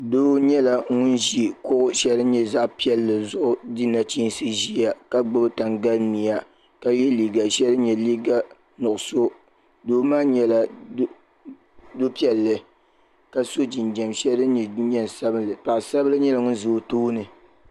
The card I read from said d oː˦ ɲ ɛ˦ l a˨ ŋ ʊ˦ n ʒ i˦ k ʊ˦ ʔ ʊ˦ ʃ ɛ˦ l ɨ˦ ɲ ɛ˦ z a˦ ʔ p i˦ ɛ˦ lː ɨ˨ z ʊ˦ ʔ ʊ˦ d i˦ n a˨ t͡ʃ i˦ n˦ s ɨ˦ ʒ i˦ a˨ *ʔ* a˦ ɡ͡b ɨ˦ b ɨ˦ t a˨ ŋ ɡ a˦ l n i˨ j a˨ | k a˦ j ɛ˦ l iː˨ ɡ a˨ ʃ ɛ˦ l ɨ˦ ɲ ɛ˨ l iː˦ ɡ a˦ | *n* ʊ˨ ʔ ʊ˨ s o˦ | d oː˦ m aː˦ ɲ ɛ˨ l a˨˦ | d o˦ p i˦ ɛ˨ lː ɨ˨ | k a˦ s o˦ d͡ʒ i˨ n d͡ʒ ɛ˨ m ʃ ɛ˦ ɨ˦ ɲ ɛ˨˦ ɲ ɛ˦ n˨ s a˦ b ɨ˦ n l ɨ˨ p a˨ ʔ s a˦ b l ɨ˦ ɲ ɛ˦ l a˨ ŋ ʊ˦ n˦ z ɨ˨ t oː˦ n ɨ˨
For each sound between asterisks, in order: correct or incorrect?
incorrect, correct

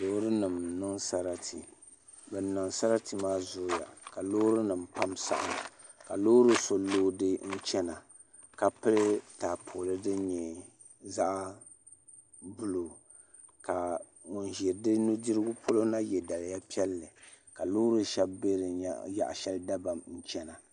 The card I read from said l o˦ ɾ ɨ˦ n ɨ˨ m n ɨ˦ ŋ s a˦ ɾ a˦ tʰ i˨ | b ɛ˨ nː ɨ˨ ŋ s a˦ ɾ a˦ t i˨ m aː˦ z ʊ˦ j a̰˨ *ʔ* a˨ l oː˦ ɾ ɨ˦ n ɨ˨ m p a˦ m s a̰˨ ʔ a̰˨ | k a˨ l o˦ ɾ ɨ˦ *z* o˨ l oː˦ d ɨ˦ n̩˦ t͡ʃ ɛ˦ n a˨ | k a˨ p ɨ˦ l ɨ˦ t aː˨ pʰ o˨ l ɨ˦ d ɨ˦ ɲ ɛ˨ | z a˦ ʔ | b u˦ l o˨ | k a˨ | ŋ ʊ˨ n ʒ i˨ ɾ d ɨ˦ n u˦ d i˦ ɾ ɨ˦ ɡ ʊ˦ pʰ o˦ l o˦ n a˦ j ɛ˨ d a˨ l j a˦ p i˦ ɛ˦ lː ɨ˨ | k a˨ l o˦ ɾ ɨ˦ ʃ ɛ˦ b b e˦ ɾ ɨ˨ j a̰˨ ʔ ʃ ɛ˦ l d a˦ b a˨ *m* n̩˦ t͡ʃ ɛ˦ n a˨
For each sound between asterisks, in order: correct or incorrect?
incorrect, incorrect, correct

